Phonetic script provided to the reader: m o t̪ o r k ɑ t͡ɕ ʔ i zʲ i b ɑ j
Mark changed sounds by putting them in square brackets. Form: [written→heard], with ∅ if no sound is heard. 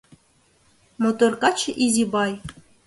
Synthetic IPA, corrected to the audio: m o t̪ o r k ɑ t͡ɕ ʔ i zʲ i b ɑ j